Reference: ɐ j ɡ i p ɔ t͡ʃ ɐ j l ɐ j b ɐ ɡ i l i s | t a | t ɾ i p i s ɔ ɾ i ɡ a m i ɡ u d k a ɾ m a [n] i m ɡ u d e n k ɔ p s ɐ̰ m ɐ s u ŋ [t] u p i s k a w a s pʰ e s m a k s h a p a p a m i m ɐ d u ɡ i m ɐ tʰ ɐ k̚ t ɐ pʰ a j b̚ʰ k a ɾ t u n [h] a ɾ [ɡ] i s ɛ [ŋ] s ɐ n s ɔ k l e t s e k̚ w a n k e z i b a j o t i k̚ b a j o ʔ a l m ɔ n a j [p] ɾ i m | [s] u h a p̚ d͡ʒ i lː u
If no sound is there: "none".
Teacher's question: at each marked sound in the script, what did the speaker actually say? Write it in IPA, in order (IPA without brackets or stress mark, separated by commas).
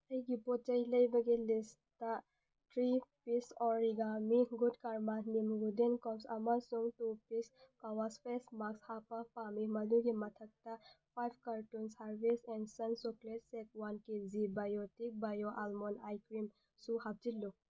n, t, s, b, n, k, s